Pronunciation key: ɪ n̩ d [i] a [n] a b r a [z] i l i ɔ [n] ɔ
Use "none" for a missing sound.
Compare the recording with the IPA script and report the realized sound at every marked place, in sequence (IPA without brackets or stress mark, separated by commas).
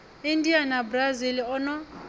i, n, z, n